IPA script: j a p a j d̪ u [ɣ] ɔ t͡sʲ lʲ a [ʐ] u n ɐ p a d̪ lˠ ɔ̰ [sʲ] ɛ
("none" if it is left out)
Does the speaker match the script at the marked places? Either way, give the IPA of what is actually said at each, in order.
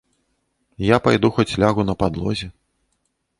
x, ɣ, zʲ

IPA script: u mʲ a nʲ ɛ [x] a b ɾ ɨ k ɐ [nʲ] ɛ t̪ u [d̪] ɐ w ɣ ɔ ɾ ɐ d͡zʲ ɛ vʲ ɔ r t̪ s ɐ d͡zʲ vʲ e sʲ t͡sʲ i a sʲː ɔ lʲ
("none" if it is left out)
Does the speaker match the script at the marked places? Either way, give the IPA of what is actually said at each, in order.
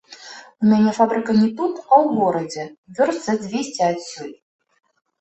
f, nʲ, t̪

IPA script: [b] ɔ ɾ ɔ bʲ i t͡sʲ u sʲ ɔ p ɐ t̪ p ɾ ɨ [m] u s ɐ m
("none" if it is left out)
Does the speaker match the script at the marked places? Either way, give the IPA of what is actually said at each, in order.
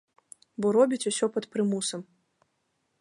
b, m

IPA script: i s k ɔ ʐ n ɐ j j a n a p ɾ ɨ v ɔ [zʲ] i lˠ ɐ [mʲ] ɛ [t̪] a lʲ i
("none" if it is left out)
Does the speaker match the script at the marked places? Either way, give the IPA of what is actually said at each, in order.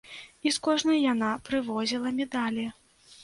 zʲ, mʲ, d̪

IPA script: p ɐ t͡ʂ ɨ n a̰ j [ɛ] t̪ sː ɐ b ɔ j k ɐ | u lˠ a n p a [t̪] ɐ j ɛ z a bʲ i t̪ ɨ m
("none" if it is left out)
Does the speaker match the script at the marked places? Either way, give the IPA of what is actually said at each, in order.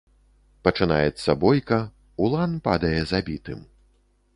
ɛ, d̪

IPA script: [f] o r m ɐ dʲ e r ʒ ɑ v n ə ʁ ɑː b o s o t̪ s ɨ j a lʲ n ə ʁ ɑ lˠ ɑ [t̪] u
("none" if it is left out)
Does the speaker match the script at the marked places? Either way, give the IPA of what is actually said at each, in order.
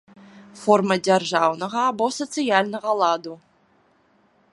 f, d̪

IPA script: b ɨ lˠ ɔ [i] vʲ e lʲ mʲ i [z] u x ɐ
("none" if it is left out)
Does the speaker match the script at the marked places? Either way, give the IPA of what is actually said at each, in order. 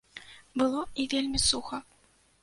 i, s

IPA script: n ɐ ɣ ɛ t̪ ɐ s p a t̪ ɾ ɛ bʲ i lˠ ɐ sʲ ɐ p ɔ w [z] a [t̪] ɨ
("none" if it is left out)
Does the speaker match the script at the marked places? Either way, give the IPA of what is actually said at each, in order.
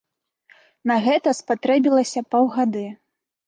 ɣ, d̪

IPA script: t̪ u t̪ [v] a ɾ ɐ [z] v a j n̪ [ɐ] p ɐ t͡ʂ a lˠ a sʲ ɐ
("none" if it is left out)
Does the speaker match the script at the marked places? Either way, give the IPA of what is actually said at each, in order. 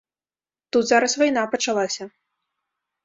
z, s, a

